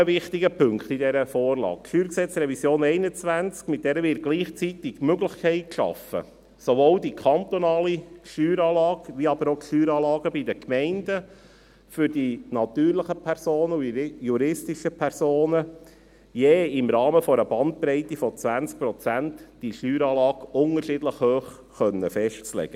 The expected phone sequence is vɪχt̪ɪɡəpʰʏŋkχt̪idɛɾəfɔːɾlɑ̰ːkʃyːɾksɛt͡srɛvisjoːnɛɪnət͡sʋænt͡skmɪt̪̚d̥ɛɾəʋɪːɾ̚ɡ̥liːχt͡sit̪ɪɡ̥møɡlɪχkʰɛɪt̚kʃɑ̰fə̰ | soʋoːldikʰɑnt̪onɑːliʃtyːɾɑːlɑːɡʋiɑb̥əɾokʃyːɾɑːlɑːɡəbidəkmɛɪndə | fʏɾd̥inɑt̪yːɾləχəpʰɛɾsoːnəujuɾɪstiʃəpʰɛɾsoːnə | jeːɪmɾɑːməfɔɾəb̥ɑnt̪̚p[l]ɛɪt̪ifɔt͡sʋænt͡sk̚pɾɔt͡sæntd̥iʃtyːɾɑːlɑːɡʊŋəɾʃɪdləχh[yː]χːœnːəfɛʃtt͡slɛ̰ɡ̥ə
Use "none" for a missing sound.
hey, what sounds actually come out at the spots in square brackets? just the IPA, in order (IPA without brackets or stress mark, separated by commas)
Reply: ɾ, øː